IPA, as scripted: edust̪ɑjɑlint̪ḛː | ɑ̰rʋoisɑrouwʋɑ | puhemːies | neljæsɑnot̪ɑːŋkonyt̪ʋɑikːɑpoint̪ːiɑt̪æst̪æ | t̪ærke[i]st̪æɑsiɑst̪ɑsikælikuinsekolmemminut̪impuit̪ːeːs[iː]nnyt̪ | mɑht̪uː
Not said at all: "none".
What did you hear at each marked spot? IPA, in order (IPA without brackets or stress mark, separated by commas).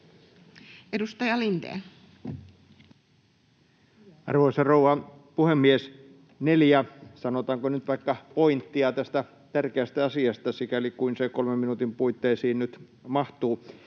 æ, iː